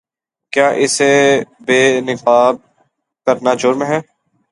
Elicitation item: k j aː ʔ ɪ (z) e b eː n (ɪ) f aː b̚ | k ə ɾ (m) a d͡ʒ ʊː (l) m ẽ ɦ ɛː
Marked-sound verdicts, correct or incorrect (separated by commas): incorrect, correct, incorrect, incorrect